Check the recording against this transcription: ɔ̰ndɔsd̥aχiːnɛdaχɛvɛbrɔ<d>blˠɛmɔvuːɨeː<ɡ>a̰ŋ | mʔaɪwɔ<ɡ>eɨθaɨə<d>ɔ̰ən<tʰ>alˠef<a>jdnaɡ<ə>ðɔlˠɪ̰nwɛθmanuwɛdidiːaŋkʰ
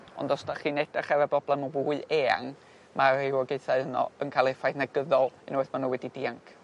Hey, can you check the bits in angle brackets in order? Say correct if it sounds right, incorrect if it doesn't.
incorrect: none, incorrect: none, correct, incorrect: n, incorrect: kʰ, correct, correct

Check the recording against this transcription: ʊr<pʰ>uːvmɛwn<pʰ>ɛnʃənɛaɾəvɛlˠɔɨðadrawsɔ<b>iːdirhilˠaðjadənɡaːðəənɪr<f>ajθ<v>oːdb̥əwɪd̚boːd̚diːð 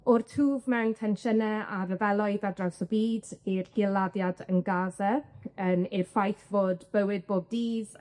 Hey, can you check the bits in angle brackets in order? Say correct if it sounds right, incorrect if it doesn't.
incorrect: tʰ, incorrect: tʰ, correct, correct, correct

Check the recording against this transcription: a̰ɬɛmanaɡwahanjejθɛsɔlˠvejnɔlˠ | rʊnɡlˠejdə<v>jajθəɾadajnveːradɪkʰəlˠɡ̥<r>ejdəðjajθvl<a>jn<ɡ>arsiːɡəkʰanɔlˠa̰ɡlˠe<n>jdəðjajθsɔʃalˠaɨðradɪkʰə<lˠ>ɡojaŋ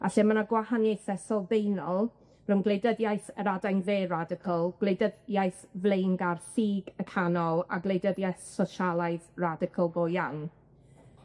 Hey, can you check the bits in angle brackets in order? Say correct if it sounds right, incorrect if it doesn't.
incorrect: ð, incorrect: l, incorrect: e, correct, incorrect: none, correct

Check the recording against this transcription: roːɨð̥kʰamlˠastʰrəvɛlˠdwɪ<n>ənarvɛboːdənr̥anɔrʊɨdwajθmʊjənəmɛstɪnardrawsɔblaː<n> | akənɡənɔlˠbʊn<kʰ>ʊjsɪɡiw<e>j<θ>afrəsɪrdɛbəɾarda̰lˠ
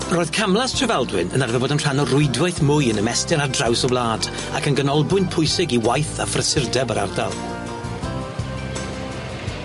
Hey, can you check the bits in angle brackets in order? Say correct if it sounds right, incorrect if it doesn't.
correct, incorrect: d, incorrect: pʰ, incorrect: a, correct

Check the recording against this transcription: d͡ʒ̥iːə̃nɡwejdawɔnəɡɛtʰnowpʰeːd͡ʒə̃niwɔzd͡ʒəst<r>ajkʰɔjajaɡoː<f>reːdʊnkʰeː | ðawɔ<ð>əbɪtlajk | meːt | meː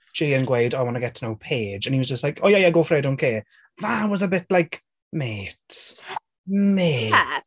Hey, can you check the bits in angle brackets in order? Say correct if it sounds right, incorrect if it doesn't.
incorrect: l, correct, incorrect: z

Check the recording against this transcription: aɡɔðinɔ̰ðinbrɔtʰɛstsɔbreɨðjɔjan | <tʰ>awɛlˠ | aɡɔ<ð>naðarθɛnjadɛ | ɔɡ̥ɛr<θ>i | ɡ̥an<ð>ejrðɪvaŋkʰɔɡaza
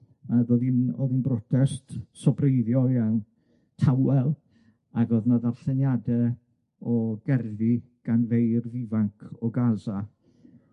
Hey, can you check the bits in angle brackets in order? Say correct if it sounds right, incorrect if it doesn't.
correct, correct, incorrect: ð, incorrect: v

